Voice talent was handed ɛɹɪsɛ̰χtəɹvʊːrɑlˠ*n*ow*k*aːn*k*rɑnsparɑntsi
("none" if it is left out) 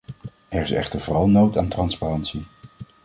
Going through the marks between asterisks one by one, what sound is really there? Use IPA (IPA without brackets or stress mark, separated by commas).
n, t, t